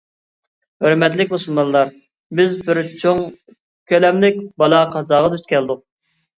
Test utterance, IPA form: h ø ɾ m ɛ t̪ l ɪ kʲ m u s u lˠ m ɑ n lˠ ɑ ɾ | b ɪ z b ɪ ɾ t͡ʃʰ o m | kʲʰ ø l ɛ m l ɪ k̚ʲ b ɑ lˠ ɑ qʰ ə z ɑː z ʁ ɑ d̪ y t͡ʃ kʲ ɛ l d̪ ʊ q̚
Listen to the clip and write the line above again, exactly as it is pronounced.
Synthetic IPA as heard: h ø ɾ m ɛ t̪ l ɪ kʲ m u s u lˠ m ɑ n lˠ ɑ ɾ | b ɪ z b ɪ ɾ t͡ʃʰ o ŋ | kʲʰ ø l ɛ m l ɪ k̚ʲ b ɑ lˠ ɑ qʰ ɑ z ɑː ʁ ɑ d̪ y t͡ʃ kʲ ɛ l d̪ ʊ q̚